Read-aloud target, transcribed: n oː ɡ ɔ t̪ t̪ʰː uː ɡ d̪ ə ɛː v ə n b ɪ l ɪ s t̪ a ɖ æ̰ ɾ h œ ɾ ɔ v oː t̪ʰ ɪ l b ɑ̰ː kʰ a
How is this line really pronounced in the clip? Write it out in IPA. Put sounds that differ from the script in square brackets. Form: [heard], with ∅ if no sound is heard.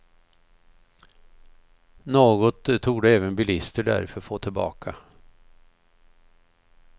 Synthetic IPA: n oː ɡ ɔ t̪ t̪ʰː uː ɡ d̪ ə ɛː v ə n b ɪ l ɪ s t̪ [ə] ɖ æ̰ ɾ [f] œ ɾ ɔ [f] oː t̪ʰ ɪ l b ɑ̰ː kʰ a